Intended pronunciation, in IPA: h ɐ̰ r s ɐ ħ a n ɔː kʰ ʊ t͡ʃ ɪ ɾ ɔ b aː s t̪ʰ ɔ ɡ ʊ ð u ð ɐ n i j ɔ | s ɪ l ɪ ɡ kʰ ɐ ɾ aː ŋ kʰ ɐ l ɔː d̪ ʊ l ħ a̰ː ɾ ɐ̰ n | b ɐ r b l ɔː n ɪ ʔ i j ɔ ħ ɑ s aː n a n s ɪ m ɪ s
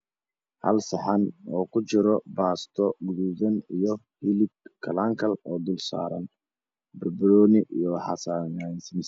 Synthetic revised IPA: h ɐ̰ l s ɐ ħ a n ɔː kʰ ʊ t͡ʃ ɪ ɾ ɔ b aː s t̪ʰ ɔ ɡ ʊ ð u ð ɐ n i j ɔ | h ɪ l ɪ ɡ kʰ ɐ l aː ŋ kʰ ɐ l ɔː d̪ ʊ l s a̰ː ɾ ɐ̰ n | b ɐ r b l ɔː n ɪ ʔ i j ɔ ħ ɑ s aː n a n s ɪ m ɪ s